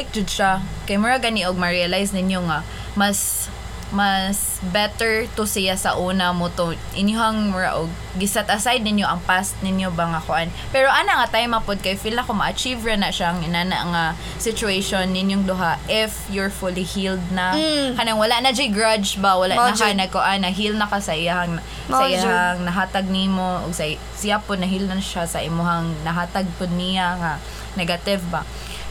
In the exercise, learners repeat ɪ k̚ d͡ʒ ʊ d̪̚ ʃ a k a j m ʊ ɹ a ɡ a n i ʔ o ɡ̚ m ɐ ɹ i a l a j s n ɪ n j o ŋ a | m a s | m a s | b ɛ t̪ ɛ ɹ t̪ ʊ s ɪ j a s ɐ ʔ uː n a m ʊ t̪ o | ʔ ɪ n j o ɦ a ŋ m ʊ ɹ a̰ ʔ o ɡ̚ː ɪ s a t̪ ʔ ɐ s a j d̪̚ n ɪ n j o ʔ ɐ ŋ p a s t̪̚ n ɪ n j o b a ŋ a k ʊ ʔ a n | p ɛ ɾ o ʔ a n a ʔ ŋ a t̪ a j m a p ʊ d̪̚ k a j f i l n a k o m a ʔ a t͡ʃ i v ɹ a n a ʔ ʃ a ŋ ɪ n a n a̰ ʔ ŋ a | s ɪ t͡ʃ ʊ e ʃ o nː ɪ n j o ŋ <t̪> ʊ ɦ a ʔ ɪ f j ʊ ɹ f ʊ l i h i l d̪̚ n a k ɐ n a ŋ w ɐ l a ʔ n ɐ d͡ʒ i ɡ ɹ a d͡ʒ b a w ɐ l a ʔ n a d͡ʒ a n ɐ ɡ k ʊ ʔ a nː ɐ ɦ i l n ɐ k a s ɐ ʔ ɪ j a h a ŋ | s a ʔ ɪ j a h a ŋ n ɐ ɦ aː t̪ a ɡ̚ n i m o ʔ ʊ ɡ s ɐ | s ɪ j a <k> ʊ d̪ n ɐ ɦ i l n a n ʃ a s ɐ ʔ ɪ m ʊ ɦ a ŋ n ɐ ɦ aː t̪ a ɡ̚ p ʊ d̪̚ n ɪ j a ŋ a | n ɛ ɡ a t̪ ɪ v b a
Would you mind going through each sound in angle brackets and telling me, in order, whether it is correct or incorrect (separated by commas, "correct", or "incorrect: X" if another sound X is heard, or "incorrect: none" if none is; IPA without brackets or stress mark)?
incorrect: d̪, incorrect: p